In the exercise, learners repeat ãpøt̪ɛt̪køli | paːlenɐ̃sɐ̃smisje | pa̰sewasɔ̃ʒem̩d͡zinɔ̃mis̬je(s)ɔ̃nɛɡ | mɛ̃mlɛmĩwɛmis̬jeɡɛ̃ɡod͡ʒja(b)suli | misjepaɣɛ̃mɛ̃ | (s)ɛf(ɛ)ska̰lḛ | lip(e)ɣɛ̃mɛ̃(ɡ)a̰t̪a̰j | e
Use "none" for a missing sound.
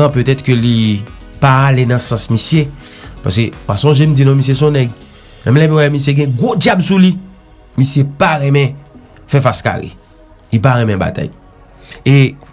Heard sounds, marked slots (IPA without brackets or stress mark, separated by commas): s, b, f, a, a, b